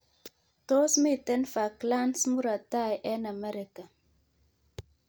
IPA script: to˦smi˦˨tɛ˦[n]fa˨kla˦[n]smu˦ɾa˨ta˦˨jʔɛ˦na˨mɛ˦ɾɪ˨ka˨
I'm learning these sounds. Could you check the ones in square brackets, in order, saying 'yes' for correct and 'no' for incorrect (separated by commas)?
yes, yes